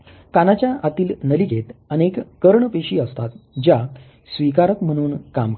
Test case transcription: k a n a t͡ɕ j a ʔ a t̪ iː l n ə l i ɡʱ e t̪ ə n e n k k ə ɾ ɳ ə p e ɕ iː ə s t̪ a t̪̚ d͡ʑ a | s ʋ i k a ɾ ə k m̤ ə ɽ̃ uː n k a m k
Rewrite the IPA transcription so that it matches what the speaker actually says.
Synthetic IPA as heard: k a n a t͡ɕ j a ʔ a t̪ iː l n ə l i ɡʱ e t̪ ə n e k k ə ɾ ɳ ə p e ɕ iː ə s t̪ a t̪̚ d͡ʑ a | s ʋ i k a ɾ ə k m̤ ə ɽ̃ uː n k a m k